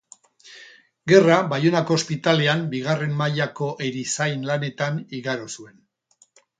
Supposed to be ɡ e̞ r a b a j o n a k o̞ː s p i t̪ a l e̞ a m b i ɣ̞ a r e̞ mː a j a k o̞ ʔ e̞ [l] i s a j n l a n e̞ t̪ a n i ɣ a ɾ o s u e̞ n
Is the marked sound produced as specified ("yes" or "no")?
no